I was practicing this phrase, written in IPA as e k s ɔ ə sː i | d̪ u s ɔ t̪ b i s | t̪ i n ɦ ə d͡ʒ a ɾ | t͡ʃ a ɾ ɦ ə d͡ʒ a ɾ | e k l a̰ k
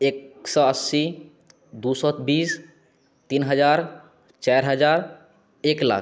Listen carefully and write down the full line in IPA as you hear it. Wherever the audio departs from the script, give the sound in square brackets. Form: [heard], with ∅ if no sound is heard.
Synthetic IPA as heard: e k s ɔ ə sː i | d̪ u s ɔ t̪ b i s | t̪ i n ɦ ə d͡ʒ a ɾ | t͡ʃ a ɾ ɦ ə d͡ʒ a ɾ | e k l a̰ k